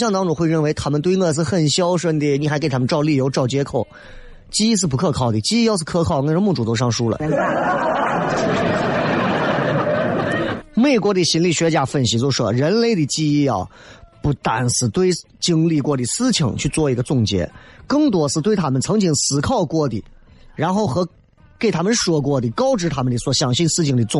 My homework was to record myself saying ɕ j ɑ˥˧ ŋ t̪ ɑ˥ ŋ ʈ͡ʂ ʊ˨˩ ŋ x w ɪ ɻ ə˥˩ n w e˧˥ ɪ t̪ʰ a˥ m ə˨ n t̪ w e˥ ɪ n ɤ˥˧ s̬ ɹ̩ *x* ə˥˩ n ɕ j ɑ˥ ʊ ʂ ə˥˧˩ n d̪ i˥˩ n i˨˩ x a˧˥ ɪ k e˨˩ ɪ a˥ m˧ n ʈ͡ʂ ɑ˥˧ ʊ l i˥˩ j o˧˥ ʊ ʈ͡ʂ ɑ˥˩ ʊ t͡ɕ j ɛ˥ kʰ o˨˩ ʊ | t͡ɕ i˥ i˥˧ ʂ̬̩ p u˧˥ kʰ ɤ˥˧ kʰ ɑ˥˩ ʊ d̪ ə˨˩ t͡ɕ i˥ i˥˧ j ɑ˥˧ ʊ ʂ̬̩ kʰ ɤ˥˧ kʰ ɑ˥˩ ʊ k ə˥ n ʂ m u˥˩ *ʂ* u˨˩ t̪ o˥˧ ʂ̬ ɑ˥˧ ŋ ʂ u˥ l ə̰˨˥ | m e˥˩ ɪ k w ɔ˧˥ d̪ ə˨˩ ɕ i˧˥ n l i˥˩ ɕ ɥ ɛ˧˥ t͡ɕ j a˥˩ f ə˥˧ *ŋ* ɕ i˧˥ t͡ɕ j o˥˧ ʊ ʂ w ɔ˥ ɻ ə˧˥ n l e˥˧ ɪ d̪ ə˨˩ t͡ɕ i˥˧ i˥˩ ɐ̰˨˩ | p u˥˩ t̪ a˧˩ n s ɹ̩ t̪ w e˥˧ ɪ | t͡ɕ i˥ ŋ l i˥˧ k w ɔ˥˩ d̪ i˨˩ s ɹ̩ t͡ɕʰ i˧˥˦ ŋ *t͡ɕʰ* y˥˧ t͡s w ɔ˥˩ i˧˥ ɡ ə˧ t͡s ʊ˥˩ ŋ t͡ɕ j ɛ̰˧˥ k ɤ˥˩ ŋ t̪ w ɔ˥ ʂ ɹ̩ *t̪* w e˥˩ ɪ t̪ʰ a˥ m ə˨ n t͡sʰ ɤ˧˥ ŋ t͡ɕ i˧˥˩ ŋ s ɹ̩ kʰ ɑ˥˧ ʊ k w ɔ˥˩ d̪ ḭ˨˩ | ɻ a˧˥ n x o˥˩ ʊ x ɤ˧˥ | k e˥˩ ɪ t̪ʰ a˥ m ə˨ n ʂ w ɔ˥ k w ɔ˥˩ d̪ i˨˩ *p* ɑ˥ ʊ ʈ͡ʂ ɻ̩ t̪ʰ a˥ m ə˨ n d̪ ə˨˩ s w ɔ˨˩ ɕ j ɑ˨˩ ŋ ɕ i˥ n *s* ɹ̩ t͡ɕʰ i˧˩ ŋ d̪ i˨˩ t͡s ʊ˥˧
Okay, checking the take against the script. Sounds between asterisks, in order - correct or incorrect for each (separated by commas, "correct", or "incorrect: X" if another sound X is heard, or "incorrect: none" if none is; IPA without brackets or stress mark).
correct, incorrect: ʈ͡ʂ, incorrect: n, correct, correct, incorrect: k, correct